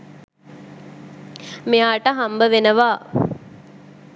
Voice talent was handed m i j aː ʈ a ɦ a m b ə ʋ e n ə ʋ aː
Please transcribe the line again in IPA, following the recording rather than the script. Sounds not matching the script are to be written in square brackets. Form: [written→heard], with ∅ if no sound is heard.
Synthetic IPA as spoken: m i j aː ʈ [a→ə] ɦ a m b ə ʋ e n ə ʋ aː

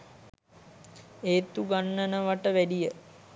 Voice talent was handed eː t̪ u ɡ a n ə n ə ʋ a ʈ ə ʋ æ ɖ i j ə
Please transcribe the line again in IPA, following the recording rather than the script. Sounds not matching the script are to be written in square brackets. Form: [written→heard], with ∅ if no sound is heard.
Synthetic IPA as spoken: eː t̪ u ɡ a [n→nː] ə n ə ʋ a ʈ ə ʋ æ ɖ i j ə

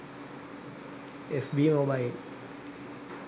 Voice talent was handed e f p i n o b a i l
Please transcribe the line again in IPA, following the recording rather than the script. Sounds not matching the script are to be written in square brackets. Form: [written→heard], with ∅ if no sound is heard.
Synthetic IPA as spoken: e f [p→b] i [n→m] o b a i l

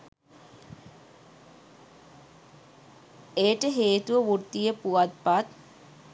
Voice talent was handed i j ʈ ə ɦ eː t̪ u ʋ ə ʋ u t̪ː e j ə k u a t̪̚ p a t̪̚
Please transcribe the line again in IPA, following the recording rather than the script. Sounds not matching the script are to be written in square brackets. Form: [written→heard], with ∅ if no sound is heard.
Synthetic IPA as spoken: [i→e] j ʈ ə ɦ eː t̪ u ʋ ə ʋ u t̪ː [e→i] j ə [k→p] u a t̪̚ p a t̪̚

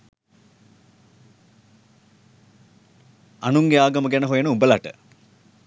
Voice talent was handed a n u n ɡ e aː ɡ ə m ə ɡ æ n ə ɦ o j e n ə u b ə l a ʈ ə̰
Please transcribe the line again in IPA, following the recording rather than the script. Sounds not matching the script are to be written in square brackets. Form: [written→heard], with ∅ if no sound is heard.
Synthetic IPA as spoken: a n u [n→ŋ] ɡ e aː ɡ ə m ə ɡ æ n ə ɦ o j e n ə u b ə l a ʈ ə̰

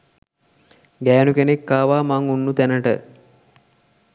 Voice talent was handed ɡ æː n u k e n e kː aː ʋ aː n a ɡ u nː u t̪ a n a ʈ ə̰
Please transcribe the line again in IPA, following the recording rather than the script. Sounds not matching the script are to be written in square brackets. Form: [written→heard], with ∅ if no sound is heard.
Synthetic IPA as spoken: ɡ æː n u k e n e kː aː ʋ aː [n→m] a [ɡ→ŋ] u nː u t̪ [a→æ] n [a→ə] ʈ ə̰

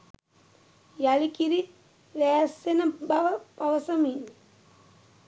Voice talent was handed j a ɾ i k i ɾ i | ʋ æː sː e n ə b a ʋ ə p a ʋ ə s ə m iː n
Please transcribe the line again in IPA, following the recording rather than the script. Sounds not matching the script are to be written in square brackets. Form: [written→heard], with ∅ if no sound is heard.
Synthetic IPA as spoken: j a [ɾ→l] i k i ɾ i | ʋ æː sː e n ə b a ʋ ə p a ʋ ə s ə m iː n

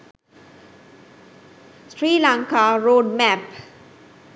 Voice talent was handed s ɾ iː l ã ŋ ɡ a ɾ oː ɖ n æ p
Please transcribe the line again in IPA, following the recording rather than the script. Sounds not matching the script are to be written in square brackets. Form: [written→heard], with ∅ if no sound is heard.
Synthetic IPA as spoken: s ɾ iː l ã ŋ [ɡ→k] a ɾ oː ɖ [n→m] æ p

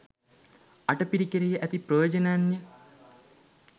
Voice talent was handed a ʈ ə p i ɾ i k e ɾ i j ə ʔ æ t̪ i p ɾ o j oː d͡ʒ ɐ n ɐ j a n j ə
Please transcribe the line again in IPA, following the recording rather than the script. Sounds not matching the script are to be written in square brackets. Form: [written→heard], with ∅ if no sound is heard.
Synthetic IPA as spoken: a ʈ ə p i ɾ i k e ɾ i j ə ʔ æ t̪ i p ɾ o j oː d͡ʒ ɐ n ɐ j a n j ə

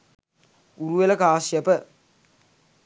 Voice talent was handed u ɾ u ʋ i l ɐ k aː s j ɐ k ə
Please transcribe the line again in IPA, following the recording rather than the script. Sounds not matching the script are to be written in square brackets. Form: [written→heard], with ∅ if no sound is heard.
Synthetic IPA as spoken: u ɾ u ʋ [i→e] l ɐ k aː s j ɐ [k→p] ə

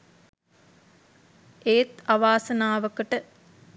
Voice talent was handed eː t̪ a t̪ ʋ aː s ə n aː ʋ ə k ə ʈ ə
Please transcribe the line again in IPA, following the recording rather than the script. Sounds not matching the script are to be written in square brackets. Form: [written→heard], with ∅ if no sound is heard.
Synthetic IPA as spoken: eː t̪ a [t̪→∅] ʋ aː s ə n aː ʋ ə k ə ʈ ə

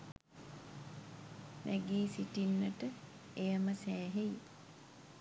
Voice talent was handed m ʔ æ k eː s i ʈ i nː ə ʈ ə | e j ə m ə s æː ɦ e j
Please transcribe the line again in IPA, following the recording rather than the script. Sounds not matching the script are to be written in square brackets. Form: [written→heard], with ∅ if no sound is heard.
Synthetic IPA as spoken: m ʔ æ [k→ɡ] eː s i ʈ i nː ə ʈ ə | e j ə m ə s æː ɦ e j

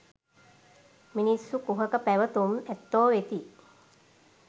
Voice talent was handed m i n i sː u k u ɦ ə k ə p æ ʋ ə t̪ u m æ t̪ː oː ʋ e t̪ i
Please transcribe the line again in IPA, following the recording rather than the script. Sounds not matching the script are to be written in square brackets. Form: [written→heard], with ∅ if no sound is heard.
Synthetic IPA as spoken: m i n i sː u k u ɦ ə k ə p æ ʋ ə t̪ u m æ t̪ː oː ʋ e t̪ i

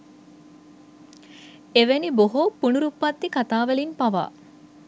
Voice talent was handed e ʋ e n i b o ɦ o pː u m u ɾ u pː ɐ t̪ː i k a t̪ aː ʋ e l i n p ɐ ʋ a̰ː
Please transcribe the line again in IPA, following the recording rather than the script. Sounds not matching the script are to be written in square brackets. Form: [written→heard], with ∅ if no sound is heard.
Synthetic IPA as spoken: e ʋ e n i b o ɦ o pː u [m→n] u ɾ u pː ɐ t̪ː i k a t̪ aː ʋ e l i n p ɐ ʋ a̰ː

